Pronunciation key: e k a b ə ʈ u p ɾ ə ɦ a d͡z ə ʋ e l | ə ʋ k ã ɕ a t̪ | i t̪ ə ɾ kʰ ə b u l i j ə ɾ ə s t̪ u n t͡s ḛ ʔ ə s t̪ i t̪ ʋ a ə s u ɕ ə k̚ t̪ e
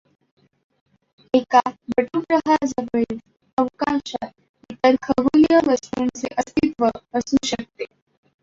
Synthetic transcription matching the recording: e k a b ə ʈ u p ɾ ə ɦ a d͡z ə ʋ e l | ə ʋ k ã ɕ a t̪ | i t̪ ə ɾ kʰ ə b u l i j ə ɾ ə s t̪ u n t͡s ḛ ʔ ə s t̪ i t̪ ʋ ə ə s u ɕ ə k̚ t̪ e